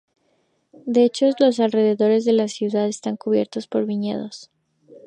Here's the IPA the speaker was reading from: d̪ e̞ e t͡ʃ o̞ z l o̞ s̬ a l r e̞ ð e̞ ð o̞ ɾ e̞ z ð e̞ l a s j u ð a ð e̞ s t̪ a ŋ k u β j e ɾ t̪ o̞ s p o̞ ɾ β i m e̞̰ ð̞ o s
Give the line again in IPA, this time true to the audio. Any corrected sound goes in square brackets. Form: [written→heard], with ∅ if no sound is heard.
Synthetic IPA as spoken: d̪ e̞ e t͡ʃ o̞ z l o̞ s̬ a l r e̞ ð e̞ ð o̞ ɾ e̞ z ð e̞ l a s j u ð a ð e̞ s t̪ a ŋ k u β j e ɾ t̪ o̞ s p o̞ ɾ β i [m→ɲ] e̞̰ ð̞ o s

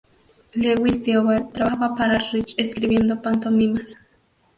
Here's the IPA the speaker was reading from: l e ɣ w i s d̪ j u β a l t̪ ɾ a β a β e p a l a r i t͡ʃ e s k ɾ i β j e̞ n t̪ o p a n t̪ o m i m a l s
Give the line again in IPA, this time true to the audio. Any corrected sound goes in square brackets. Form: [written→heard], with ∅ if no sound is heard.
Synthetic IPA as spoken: l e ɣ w i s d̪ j [u→o] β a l t̪ ɾ a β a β [e→a] p a [l→ɾ] a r i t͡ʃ e s k ɾ i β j e̞ n [t̪→d̪] o p a n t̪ o m i m a [l→∅] s

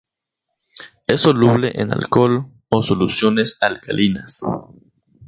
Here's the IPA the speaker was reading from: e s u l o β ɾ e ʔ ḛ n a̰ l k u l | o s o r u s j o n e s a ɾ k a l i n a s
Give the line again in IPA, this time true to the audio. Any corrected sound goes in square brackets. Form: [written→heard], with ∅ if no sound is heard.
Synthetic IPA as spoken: e s [u→o] l [o→u] β [ɾ→l] e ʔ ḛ n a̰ l k [u→o] l | o s o [r→l] u s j o n e s a [ɾ→l] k a l i n a s

